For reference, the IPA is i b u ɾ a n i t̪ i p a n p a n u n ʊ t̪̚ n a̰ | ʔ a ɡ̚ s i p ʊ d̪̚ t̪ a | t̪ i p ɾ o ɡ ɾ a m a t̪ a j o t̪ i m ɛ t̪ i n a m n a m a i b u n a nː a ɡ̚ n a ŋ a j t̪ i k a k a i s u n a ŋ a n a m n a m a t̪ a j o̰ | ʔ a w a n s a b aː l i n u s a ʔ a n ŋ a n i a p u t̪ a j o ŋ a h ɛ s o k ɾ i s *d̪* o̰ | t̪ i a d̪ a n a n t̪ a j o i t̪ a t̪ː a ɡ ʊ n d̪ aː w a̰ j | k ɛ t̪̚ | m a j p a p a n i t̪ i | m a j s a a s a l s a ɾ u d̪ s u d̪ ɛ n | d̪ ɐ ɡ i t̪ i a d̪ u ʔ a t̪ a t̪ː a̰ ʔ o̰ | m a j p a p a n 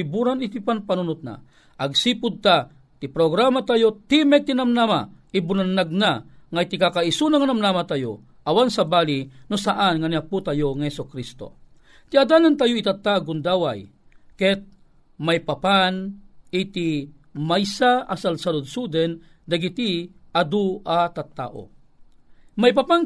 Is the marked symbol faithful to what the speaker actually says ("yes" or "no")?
no